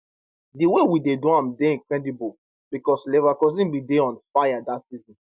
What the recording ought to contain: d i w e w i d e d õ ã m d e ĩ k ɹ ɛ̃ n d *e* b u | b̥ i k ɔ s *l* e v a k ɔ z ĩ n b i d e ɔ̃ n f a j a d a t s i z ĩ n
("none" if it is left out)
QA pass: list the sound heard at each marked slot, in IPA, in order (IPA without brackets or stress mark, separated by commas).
i, l